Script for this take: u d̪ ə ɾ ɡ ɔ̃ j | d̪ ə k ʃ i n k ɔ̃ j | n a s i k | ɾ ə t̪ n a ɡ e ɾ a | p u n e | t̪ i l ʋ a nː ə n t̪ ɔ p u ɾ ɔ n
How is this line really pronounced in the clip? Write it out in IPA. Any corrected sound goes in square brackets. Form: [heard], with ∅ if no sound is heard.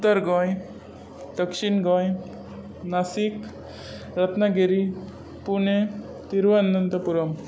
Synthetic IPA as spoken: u [t̪] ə ɾ ɡ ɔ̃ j | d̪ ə k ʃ i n [ɡ] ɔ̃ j | n a s i k | ɾ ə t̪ n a ɡ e ɾ [i] | p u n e | t̪ i [ɾ] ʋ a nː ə n t̪ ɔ p u ɾ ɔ [m]